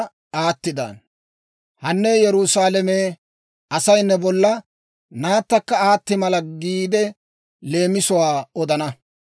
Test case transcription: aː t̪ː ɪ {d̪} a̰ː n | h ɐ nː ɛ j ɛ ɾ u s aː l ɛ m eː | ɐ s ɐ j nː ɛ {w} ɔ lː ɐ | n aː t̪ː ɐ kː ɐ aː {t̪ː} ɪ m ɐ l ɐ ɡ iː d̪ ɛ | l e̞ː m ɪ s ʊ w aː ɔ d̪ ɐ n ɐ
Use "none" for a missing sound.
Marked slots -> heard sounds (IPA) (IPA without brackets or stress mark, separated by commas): d̪, b, t̪ː